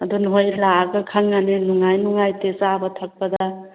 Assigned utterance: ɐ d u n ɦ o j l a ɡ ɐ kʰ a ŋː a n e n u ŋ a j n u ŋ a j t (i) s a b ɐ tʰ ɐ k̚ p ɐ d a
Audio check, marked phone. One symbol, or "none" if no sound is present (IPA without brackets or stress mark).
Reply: e